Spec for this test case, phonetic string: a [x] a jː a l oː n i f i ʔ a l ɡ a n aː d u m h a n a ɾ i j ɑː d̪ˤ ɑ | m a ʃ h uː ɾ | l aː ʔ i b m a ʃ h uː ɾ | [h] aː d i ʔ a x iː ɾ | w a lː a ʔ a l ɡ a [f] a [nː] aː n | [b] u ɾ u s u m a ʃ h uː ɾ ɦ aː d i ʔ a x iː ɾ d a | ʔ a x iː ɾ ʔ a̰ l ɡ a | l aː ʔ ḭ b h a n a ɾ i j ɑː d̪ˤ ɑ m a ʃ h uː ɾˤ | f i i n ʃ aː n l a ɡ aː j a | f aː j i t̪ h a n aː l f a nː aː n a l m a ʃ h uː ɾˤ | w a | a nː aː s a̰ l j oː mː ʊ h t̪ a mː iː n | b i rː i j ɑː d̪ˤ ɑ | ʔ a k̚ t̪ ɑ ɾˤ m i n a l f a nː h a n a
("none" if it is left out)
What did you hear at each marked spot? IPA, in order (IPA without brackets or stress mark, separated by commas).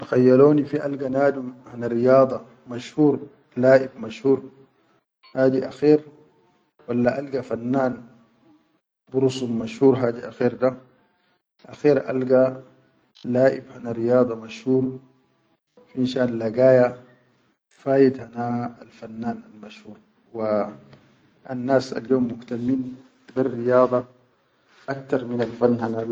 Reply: x, h, f, nː, b